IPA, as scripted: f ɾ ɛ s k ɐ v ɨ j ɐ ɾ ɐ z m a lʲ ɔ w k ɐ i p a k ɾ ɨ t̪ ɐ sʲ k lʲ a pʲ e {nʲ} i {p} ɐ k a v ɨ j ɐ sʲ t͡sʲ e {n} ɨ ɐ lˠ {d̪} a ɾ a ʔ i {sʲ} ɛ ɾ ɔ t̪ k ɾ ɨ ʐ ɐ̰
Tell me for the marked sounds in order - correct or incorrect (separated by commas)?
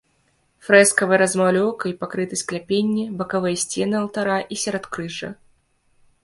incorrect, incorrect, correct, incorrect, correct